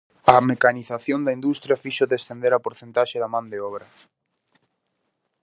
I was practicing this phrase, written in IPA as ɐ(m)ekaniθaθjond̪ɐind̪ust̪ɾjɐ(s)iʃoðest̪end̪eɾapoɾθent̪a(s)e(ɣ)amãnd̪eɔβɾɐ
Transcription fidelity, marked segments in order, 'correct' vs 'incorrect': correct, incorrect: f, incorrect: ʃ, incorrect: ð

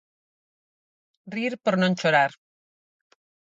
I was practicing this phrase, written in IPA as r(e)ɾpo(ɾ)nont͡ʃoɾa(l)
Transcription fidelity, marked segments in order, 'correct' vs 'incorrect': incorrect: i, correct, incorrect: ɾ

